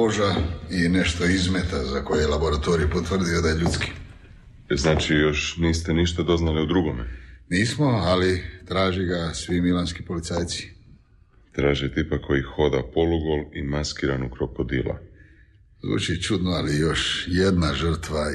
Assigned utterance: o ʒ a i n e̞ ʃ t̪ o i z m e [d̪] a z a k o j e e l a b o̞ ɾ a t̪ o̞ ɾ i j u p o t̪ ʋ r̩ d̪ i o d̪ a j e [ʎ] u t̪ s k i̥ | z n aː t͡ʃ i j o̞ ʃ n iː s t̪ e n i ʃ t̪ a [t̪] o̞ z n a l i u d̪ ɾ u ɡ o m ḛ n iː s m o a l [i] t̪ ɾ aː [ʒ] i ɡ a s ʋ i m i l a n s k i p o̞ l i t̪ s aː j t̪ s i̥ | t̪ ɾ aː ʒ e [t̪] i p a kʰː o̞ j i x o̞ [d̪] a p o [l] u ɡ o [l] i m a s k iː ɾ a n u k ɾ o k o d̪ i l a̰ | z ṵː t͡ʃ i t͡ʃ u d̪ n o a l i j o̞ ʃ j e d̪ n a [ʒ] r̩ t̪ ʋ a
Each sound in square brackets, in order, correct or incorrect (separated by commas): incorrect, correct, incorrect, correct, correct, correct, correct, correct, correct, correct